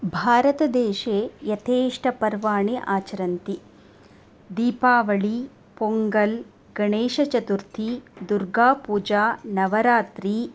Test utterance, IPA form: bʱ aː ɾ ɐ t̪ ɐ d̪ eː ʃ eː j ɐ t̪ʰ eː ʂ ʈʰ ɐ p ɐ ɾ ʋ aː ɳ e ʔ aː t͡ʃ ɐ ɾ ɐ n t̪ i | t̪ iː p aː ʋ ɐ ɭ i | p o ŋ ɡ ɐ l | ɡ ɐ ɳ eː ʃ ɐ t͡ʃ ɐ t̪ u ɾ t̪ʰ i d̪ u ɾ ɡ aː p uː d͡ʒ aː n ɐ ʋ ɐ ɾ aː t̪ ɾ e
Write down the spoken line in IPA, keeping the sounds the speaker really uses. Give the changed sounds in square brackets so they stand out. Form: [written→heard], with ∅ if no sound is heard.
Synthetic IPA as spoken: bʱ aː ɾ ɐ t̪ ɐ d̪ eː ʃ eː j ɐ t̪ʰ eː ʂ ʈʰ ɐ p ɐ ɾ ʋ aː ɳ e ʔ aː t͡ʃ ɐ ɾ ɐ n t̪ i | [t̪→d̪] iː p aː ʋ ɐ ɭ i | p o ŋ ɡ ɐ l | ɡ ɐ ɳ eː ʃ ɐ t͡ʃ ɐ t̪ u ɾ t̪ʰ i d̪ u ɾ ɡ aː p uː d͡ʒ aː n ɐ ʋ ɐ ɾ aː t̪ ɾ [e→i]